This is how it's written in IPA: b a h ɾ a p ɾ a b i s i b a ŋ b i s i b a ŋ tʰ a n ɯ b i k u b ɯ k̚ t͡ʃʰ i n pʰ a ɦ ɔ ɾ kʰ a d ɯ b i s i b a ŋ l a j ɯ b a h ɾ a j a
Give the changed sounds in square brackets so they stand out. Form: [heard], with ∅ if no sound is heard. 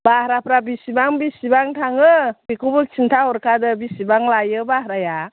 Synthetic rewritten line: b a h ɾ a p ɾ a b i s i b a ŋ b i s i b a ŋ tʰ a [ŋ] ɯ b i k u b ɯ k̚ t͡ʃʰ i n [tʰ] a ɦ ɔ ɾ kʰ a d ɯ b i s i b a ŋ l a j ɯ b a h ɾ a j a

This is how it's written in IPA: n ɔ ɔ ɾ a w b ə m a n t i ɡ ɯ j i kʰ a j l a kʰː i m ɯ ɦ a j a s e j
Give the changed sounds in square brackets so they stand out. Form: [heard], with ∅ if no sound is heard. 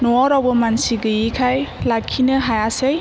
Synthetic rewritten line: n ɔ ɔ ɾ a w b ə m a n [s] i ɡ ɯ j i kʰ a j l a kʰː i [n] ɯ ɦ a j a s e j

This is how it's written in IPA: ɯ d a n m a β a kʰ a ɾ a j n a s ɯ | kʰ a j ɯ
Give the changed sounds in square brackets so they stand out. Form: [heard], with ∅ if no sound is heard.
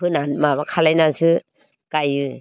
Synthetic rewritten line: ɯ [n] a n m a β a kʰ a [l] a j n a s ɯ | [k] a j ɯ

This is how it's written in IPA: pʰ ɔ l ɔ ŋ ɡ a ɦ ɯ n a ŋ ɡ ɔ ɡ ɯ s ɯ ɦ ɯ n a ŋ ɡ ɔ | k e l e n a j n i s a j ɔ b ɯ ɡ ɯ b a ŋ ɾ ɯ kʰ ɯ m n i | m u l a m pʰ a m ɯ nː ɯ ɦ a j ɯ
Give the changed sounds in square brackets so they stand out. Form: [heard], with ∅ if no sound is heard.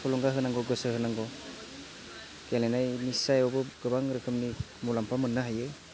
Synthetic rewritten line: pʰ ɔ l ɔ ŋ ɡ a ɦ ɯ n a ŋ ɡ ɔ ɡ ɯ s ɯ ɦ ɯ n a ŋ ɡ ɔ | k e l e n a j n i s a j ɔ b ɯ ɡ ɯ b a ŋ ɾ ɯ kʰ ɯ m n i | m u l a m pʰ a m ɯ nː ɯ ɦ a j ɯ

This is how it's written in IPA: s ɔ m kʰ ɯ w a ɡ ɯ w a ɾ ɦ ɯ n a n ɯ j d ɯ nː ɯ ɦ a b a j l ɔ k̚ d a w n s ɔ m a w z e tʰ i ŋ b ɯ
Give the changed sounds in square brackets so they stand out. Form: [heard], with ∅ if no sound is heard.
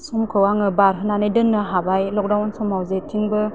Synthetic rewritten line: s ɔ m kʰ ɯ w a [ŋ] ɯ [b] a ɾ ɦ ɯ n a n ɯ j d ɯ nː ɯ ɦ a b a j l ɔ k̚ d a w n s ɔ m a w z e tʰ i ŋ b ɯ

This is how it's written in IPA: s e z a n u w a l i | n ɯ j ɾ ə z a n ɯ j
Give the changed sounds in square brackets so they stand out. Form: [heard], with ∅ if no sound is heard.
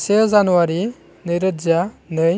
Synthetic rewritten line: s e z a n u w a [ɾ] i | n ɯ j ɾ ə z a n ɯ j

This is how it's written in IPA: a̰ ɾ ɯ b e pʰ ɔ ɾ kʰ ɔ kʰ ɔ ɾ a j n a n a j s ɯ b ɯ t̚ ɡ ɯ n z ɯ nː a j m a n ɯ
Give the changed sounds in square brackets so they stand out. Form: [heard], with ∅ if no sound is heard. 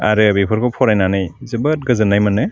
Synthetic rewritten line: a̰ ɾ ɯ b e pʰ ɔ ɾ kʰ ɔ [pʰ] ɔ ɾ a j n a n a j [z] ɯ b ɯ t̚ ɡ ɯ [∅] z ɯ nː a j m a n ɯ

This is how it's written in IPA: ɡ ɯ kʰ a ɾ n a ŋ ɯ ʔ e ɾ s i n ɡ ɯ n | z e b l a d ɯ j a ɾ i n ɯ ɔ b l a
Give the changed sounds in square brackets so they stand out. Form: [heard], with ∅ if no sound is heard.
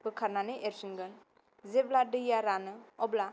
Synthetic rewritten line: [b] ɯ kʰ a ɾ n a [n] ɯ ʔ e ɾ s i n ɡ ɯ n | z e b l a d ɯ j a ɾ [a] n ɯ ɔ b l a

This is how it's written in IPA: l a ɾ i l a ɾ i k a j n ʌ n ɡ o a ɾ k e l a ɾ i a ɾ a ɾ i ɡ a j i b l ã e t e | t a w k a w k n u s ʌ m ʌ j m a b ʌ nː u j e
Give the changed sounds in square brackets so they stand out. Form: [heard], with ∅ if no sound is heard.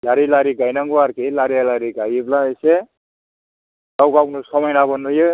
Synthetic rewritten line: l a ɾ i l a ɾ i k a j n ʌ [ŋ] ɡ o a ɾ k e l a ɾ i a [l] a ɾ i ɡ a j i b l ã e [s] e | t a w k a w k n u s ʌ m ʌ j [n] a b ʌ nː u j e

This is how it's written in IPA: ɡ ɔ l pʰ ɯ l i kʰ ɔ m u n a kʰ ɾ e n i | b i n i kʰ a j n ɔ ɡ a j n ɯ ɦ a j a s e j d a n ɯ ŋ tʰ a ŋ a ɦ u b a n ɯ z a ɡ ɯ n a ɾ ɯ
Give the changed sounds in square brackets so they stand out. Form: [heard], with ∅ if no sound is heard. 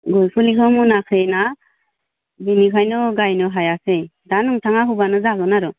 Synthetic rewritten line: ɡ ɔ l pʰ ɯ l i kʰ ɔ m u n a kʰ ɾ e n [a] | b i n i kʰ a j n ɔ ɡ a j n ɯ ɦ a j a s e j d a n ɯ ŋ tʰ a ŋ a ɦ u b a n ɯ z a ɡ ɯ n a ɾ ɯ

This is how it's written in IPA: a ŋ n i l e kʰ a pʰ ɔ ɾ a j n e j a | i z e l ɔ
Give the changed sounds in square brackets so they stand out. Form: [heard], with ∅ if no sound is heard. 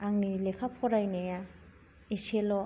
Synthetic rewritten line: a ŋ n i l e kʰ a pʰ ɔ ɾ a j n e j a | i [s] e l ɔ

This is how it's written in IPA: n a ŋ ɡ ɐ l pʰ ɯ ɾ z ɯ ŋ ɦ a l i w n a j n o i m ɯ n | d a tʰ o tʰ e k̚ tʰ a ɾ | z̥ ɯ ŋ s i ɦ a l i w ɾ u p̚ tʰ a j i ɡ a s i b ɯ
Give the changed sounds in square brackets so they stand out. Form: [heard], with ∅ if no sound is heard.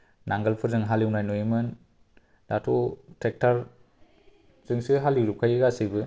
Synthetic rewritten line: n a ŋ ɡ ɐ l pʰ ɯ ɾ z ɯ ŋ ɦ a l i w n a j n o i m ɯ n | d a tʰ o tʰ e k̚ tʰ a ɾ | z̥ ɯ ŋ s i ɦ a l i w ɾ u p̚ [kʰ] a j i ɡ a s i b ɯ

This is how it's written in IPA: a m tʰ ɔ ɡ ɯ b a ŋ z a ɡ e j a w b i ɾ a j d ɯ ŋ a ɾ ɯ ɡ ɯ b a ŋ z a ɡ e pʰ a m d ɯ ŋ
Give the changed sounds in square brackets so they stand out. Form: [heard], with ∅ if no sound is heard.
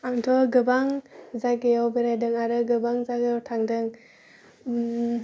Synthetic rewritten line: a m tʰ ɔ ɡ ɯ b a ŋ z a ɡ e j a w b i ɾ a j d ɯ ŋ a ɾ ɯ ɡ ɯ b a ŋ z a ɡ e [tʰ] a [ŋ] d ɯ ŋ

